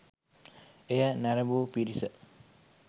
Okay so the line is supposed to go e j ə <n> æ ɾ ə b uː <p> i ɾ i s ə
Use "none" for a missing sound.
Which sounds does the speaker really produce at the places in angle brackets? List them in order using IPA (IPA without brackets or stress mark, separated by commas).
n, p